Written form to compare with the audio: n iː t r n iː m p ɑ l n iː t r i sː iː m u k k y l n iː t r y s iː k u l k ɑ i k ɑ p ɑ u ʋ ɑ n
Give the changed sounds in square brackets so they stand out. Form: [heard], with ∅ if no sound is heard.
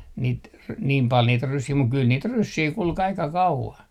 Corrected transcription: n iː t r n iː m p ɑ l n iː t r [y] sː iː m u k k y l n iː t r y [sː] iː k u l k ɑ i k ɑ [k] ɑ u ʋ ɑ n

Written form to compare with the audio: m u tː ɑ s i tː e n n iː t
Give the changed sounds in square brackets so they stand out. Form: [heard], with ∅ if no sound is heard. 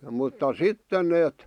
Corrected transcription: m u tː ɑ s i tː e n n [eː] t

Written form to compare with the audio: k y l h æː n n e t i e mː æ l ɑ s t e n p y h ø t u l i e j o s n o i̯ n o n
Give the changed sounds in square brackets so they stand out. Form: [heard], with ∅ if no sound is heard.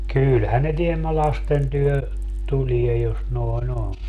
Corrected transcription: k y l h [æ] n n e t i e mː æ l ɑ s t e n [t] y h ø t u l i e j o s n o i̯ n o n

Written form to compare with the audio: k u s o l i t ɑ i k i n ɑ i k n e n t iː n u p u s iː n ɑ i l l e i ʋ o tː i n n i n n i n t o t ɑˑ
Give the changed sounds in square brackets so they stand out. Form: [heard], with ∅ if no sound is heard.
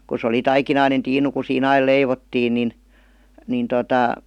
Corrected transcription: k u s o l i t ɑ i k i n ɑ i [∅] n e n t iː n u [k] u s iː n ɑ i l l e i ʋ o tː [iː] n n i n n i n t o t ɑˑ

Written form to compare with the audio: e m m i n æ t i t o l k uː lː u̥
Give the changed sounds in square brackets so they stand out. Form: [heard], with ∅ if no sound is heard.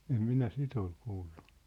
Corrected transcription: e m m i n æ [s] i t o l k uː lː u̥

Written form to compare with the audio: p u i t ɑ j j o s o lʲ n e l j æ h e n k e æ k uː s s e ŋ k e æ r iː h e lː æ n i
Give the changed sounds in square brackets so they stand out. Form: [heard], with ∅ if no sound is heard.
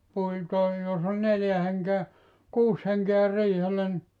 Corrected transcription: p u i t ɑ [i] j o s o lʲ n e l j æ h e [ŋ] k e æ k uː s [h] e ŋ k e æ r iː h e lː æ n i

